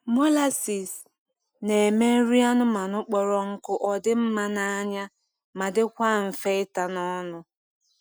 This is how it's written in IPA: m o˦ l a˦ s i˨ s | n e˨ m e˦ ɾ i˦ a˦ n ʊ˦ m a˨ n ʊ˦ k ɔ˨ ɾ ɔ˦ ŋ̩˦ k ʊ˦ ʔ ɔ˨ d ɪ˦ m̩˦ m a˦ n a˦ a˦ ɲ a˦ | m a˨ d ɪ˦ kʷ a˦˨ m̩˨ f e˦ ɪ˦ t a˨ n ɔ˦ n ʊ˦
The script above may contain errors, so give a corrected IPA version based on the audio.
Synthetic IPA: m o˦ l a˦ s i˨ s | n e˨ m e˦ ɾ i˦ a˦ n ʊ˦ m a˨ n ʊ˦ k͡p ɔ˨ ɾ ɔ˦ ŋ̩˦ k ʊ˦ ʔ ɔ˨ d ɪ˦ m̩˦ m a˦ n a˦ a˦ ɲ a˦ | m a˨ d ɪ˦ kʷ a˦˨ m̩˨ f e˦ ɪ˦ t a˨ n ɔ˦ n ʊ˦